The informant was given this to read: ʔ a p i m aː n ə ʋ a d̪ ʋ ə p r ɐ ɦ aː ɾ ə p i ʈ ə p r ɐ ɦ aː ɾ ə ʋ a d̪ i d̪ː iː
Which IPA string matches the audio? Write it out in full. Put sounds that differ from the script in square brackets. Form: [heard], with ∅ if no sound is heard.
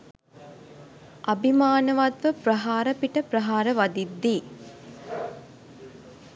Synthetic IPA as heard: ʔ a [b] i m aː n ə ʋ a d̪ ʋ ə p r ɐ ɦ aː ɾ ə p i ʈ ə p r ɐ ɦ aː ɾ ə ʋ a d̪ i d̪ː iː